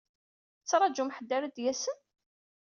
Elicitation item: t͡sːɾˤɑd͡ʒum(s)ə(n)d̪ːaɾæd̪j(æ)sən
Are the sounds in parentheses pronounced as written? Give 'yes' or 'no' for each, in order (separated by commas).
no, no, yes